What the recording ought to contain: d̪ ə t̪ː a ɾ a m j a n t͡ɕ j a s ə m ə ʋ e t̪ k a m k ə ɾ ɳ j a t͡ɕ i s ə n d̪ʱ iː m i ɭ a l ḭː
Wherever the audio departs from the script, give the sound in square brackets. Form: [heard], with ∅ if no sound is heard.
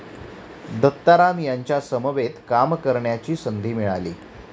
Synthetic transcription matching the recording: d̪ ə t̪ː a ɾ a m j a [ɲ] t͡ɕ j a s ə m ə ʋ e t̪ k a m k ə ɾ ɳ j a t͡ɕ [iː] s ə n d̪ʱ iː m i ɭ a l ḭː